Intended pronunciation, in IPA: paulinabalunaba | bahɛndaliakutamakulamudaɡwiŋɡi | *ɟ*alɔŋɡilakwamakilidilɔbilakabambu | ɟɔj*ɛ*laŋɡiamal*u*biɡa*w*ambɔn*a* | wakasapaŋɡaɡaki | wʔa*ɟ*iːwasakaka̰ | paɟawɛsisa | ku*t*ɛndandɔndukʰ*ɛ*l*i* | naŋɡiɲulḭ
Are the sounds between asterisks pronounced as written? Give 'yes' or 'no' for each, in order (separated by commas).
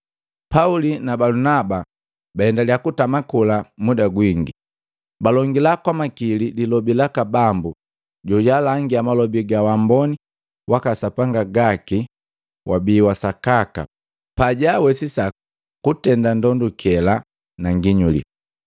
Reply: no, no, no, yes, no, no, yes, yes, no